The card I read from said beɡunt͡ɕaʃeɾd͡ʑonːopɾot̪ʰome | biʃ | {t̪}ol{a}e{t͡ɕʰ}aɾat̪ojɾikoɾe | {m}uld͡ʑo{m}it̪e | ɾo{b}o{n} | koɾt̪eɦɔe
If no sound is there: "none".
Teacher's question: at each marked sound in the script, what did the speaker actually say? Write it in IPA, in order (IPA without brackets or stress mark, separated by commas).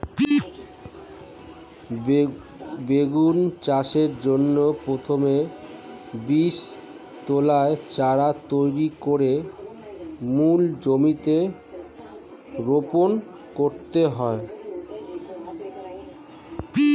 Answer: t̪, a, t͡ɕ, m, m, p, n